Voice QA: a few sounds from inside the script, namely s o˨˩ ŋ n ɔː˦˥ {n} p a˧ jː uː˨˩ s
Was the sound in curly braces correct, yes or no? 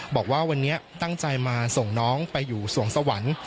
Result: no